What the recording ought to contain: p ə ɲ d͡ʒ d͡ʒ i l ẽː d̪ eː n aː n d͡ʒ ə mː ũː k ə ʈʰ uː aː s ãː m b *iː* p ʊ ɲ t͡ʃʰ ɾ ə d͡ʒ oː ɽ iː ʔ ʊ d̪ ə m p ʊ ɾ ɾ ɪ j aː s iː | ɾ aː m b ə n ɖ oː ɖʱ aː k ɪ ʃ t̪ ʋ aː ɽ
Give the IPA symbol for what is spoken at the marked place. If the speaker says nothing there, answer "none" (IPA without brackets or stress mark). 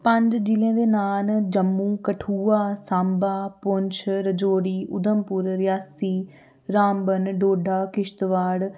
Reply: aː